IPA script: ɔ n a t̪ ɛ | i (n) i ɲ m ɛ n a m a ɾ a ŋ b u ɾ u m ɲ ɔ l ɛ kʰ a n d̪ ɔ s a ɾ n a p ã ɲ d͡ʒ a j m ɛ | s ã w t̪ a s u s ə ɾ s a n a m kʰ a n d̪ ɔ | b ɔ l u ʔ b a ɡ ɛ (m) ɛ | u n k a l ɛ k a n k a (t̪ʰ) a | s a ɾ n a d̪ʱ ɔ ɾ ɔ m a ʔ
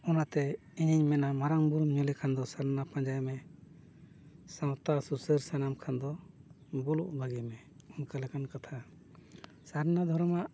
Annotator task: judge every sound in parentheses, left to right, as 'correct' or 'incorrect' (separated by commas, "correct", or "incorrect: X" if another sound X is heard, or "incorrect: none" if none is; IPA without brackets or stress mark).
incorrect: ɲ, correct, correct